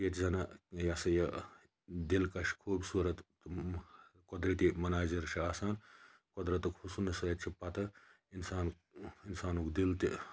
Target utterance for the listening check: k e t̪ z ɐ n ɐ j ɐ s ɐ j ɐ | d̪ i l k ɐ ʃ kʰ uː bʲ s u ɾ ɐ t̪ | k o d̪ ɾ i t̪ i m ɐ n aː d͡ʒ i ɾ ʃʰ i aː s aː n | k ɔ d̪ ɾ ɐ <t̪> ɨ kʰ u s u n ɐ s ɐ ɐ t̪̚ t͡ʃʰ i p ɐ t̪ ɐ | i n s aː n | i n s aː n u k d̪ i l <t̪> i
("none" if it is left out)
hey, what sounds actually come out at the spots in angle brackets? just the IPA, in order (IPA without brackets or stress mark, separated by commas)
t̪, t̪